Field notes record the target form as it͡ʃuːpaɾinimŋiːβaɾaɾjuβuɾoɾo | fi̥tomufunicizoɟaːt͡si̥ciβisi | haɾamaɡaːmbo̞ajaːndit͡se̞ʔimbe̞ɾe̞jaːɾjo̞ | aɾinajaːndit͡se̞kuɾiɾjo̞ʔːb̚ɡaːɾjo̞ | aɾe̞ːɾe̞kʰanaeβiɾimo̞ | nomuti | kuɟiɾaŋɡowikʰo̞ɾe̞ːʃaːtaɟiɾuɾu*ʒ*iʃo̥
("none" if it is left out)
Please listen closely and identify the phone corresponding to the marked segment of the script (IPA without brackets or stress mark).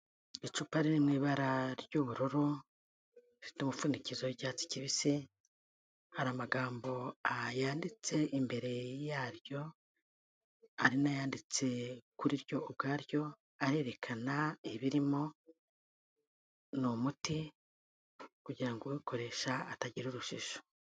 ʃ